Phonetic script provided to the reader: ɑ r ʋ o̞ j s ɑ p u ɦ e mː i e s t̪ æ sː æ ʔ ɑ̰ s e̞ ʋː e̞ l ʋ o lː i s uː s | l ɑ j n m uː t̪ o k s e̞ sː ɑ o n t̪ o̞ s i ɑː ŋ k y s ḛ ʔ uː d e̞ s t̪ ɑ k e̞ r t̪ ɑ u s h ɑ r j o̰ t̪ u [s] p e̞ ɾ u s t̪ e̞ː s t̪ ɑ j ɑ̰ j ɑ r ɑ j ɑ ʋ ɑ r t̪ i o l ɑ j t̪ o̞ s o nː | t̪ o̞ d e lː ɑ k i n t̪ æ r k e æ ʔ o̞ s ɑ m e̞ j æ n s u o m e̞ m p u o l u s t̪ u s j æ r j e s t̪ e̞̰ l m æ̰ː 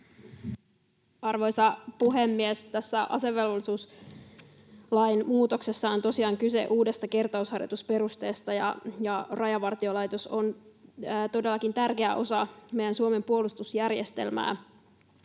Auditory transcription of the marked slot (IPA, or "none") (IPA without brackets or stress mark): s